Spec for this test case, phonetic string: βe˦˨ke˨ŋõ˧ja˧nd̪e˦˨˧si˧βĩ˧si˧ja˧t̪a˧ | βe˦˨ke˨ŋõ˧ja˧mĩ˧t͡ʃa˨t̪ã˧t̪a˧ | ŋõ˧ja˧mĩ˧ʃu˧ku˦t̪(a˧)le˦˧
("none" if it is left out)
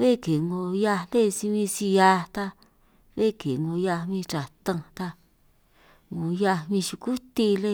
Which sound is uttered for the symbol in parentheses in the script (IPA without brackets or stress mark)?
i˧